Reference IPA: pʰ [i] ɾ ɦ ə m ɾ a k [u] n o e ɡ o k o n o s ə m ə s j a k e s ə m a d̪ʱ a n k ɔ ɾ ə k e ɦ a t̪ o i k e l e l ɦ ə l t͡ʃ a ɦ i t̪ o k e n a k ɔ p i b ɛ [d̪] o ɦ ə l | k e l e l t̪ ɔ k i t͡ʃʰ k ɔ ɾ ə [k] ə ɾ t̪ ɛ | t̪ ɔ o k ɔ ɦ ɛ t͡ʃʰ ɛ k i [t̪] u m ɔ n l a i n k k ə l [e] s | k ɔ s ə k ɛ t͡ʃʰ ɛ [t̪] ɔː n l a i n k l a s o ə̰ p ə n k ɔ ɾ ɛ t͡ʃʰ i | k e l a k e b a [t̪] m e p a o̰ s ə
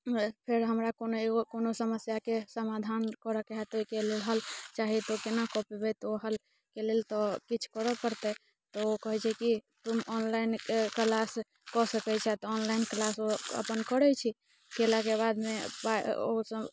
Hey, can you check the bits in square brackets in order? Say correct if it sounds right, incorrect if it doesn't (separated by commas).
incorrect, incorrect, incorrect, incorrect, correct, incorrect, correct, incorrect